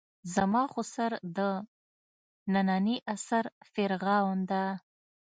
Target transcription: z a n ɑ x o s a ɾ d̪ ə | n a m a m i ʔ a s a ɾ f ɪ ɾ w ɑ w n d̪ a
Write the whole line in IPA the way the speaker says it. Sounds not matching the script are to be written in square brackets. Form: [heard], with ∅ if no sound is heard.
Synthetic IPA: z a [m] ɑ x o s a ɾ d̪ ə | n a [n] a [n] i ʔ a s a ɾ f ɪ ɾ [ɣ] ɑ w n d̪ a